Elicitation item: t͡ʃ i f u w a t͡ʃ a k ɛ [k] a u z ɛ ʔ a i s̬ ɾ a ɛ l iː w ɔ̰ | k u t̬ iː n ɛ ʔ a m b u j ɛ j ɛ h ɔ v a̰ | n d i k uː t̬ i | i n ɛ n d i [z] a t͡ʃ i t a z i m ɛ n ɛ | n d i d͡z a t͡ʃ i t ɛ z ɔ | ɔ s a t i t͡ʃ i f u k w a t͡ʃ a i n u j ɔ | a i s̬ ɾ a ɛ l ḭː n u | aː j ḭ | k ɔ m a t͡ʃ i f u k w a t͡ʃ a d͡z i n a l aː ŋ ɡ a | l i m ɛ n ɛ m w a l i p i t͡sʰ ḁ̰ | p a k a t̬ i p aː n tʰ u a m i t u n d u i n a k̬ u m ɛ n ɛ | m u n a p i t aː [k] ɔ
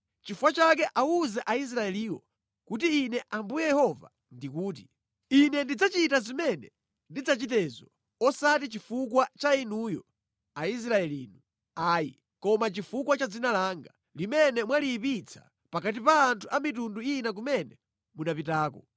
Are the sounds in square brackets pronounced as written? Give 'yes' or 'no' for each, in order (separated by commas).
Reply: no, no, yes